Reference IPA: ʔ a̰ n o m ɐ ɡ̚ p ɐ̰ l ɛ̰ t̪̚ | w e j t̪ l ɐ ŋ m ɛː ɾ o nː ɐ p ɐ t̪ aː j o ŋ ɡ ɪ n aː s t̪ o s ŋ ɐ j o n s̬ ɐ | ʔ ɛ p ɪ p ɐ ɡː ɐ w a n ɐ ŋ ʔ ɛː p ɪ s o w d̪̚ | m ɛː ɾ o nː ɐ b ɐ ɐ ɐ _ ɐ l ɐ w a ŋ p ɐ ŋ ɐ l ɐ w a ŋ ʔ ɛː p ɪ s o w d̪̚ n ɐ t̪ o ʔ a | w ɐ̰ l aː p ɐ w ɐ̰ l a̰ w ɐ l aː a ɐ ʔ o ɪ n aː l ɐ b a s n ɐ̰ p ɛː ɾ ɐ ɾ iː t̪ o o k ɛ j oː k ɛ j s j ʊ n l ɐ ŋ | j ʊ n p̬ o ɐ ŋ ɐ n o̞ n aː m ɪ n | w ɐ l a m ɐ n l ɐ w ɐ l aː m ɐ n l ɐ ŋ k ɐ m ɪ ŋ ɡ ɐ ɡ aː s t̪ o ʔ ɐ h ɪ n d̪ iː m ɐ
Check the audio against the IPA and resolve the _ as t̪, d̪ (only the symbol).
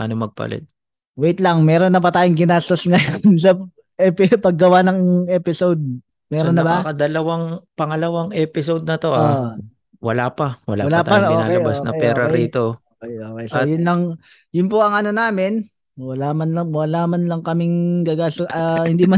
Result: d̪